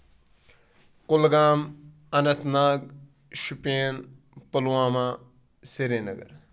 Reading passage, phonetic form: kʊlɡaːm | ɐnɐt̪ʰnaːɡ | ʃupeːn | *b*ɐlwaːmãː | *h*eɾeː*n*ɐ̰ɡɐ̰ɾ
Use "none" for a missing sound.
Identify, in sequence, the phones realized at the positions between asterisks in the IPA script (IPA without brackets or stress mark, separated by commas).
p, s, n